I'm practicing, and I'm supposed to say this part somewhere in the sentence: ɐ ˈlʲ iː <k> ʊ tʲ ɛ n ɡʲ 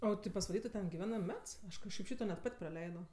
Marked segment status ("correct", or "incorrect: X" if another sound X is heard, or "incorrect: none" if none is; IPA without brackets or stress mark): incorrect: t